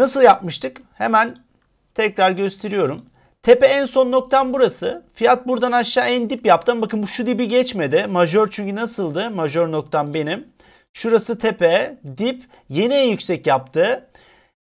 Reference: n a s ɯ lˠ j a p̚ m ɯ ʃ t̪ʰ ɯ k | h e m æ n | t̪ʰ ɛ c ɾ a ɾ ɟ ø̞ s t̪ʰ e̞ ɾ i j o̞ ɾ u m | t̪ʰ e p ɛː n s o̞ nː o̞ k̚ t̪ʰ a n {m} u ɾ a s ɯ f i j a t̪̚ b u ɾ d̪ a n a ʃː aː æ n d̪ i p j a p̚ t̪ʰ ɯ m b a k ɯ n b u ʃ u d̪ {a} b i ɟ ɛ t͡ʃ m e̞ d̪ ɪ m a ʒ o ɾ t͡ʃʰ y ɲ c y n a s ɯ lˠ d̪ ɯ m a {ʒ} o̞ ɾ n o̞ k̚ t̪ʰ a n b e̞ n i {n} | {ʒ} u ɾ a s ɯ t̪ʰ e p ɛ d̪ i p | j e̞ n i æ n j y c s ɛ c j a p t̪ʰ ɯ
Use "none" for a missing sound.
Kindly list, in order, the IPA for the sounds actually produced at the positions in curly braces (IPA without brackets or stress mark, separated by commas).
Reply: b, i, ʒ, m, ʃ